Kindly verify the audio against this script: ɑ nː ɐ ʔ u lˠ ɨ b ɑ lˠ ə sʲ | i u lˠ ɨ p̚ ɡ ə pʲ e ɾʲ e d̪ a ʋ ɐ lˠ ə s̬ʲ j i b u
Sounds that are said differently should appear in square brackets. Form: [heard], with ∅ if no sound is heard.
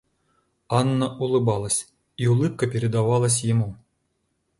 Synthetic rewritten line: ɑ nː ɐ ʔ u lˠ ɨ b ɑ lˠ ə sʲ | i u lˠ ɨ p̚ [k] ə pʲ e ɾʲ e d̪ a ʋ [ɑ] lˠ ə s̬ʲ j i [m] u